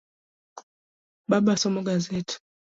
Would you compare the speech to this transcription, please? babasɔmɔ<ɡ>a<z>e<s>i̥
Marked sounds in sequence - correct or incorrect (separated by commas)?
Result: correct, correct, incorrect